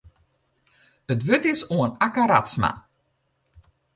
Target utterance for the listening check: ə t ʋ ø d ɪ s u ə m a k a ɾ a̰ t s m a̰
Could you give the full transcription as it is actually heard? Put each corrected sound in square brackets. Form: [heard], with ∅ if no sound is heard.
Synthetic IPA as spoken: ə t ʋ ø [t] ɪ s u ə [n] a k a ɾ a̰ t s m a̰